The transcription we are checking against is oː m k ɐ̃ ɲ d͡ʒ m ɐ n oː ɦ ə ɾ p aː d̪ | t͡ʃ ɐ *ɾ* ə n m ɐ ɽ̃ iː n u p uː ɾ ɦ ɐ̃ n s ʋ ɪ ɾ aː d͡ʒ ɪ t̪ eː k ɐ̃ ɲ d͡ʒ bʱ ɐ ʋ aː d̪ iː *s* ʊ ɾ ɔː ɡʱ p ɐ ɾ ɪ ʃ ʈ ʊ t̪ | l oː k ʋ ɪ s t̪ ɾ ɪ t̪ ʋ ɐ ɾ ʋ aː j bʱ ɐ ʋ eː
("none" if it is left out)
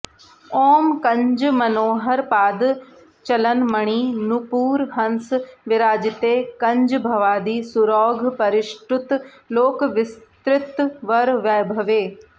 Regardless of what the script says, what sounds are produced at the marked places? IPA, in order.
l, s

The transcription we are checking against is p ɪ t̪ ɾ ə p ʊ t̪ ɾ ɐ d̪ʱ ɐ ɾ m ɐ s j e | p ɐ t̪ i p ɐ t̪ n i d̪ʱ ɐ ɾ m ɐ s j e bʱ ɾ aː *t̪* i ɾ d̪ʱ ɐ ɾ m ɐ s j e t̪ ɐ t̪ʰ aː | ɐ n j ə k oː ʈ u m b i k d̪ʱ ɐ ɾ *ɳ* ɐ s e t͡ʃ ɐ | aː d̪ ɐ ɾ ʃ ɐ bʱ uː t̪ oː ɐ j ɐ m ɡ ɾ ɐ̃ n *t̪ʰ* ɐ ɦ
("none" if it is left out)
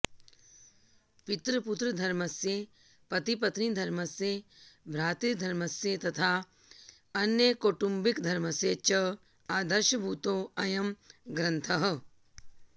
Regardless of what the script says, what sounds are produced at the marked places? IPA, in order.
t̪, m, t̪ʰ

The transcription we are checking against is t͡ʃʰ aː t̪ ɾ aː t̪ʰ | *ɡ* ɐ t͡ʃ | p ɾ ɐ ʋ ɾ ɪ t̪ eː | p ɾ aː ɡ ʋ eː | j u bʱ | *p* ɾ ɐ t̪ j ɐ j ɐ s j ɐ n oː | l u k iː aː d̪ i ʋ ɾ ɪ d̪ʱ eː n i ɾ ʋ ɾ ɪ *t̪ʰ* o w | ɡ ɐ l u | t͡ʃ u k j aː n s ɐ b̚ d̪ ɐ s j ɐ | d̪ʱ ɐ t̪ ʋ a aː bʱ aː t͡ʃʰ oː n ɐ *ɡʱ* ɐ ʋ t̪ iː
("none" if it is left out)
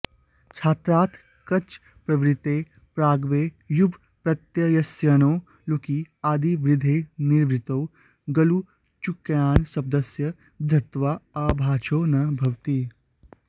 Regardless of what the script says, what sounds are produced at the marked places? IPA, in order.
k, p, t̪, bʱ

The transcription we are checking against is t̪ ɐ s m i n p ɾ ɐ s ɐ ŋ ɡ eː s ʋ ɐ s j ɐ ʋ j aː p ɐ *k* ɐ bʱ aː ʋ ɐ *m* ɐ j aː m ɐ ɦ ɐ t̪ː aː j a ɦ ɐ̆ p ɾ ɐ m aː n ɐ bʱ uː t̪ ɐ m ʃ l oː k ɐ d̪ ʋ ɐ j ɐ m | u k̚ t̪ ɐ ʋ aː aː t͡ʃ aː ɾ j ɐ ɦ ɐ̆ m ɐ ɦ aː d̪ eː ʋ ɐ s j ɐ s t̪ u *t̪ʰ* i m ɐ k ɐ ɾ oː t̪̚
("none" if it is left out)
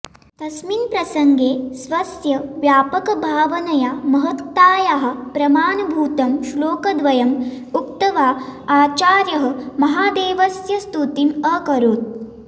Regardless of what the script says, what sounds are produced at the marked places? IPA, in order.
k, n, t̪

